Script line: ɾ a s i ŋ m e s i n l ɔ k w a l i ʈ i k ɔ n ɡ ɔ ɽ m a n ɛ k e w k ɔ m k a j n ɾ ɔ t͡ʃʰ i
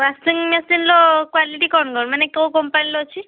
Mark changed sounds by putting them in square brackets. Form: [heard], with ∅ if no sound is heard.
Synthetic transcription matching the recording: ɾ a s i ŋ m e s i n l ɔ k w a l i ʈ i k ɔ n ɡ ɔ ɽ m a n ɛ k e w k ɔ m [p] a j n [l] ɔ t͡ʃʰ i